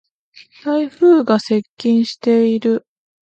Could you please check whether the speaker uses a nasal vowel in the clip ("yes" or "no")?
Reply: yes